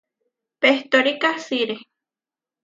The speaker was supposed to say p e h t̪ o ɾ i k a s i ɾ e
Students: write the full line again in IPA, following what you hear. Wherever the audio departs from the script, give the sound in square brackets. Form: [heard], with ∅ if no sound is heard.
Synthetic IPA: p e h t̪ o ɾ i k a s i ɾ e